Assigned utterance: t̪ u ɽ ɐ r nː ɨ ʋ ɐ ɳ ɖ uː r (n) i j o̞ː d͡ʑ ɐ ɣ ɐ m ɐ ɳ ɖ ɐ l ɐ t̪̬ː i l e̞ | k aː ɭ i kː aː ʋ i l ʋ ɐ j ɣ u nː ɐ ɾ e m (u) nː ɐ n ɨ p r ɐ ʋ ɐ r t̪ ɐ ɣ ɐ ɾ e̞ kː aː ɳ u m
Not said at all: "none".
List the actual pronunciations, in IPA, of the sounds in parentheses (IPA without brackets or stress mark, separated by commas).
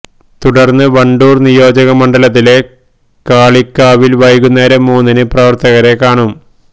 n, uː